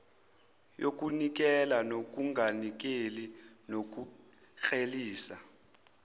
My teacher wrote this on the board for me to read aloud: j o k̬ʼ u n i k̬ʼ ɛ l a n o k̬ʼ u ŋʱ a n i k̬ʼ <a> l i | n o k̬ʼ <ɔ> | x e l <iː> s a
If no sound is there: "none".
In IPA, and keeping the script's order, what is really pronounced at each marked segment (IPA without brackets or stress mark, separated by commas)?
e, u, iː